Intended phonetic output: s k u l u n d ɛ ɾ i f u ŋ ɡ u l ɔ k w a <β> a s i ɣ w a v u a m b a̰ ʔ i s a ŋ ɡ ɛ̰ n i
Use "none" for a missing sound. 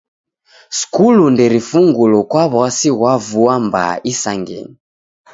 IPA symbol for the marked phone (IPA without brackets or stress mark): β